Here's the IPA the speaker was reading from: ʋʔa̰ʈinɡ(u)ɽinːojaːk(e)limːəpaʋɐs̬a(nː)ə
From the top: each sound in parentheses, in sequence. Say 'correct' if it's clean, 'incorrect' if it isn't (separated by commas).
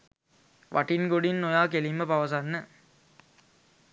incorrect, correct, correct